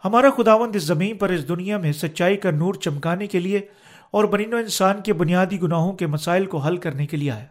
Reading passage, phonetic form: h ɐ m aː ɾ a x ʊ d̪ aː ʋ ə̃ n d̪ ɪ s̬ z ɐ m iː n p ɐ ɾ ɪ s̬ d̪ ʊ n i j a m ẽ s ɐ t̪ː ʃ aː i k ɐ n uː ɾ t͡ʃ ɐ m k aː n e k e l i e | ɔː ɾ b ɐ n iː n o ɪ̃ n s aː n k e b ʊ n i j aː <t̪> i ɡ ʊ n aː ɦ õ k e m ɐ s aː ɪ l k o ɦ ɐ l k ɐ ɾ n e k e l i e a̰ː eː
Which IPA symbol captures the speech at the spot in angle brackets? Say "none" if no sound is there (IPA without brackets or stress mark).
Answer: d̪